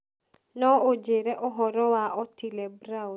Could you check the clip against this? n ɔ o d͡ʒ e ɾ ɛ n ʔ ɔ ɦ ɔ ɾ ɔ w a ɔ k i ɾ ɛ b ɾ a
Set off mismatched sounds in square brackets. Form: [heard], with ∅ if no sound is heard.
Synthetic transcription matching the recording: n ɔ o d͡ʒ e ɾ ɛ [∅] ʔ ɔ ɦ ɔ ɾ ɔ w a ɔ [t] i [l] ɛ b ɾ a